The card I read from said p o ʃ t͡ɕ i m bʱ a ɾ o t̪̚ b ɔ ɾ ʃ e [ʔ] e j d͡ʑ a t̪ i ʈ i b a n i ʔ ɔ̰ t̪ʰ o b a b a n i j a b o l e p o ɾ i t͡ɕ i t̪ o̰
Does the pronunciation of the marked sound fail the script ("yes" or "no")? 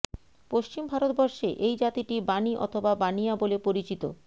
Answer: no